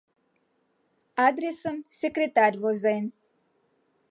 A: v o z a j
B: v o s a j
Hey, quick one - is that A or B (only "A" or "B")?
A